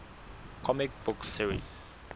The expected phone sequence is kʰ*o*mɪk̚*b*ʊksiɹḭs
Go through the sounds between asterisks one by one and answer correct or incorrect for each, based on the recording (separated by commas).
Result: incorrect, correct